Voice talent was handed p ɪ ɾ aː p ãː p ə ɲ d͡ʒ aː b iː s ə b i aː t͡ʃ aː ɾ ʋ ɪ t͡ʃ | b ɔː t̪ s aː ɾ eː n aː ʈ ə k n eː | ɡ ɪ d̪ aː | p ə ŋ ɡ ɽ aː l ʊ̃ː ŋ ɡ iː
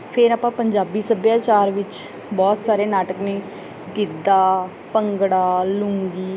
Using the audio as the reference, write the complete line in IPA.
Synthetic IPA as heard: pʰ ɪ ɾ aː p ãː p ə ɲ d͡ʒ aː b iː s ə b j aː t͡ʃ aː ɾ ʋ ɪ t͡ʃ | b ɔː t̪ s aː ɾ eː n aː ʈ ə k n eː | ɡ ɪ d̪ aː | p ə ŋ ɡ ɽ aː l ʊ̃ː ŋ ɡ iː